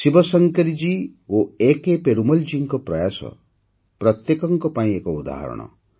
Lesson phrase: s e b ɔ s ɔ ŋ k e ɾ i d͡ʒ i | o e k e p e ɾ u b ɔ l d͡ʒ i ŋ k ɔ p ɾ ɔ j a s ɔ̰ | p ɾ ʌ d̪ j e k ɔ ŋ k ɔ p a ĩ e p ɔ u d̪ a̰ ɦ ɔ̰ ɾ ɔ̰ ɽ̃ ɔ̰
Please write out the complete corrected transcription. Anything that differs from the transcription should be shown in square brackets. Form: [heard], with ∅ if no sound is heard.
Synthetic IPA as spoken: s [i] b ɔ s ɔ ŋ k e ɾ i d͡ʒ i | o e k e p e ɾ u [m] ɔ l d͡ʒ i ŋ k ɔ p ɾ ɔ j a s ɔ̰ | p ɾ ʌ [t̪] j e k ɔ ŋ k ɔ p a ĩ e [k] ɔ u d̪ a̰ ɦ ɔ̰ ɾ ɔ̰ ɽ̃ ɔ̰